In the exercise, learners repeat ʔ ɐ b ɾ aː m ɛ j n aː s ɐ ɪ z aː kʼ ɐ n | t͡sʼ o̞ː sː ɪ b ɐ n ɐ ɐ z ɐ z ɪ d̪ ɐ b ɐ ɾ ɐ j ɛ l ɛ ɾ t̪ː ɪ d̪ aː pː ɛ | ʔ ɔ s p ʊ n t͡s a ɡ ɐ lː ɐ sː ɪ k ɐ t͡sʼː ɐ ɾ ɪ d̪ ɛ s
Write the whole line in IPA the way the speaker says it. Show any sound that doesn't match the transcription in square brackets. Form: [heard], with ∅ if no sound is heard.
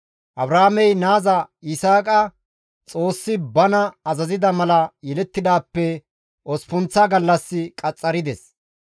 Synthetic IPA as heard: ʔ ɐ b ɾ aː m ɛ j n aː [z] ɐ ɪ [s] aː kʼ ɐ [∅] | t͡sʼ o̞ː sː ɪ b ɐ n ɐ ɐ z ɐ z ɪ d̪ ɐ [m] ɐ [l] ɐ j ɛ l ɛ [∅] t̪ː ɪ d̪ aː pː ɛ | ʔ ɔ s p ʊ n t͡s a ɡ ɐ lː ɐ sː ɪ [kʼ] ɐ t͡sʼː ɐ ɾ ɪ d̪ ɛ s